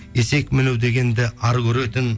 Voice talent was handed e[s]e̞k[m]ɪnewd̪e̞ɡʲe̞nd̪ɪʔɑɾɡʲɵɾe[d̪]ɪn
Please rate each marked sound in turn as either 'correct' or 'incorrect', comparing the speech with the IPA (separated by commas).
correct, correct, incorrect